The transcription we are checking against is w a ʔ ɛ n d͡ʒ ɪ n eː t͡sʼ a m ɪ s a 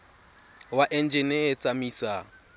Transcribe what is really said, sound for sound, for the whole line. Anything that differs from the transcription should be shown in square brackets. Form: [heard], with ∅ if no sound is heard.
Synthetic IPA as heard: w a ʔ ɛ n d͡ʒ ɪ n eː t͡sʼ a m [i] s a